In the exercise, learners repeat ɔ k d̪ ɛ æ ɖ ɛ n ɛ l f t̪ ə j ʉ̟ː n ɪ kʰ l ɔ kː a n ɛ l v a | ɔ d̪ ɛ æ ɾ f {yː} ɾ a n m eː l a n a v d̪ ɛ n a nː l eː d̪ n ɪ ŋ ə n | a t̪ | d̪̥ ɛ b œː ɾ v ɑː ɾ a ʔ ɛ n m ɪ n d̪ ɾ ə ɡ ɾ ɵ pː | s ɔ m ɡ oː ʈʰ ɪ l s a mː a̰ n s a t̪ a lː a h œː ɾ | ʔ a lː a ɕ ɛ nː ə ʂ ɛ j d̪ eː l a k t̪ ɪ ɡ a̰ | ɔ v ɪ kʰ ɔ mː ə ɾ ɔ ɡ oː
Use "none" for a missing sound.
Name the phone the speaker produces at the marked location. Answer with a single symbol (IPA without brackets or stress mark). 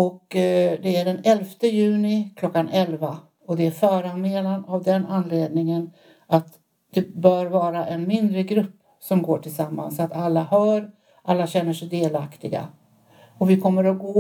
œː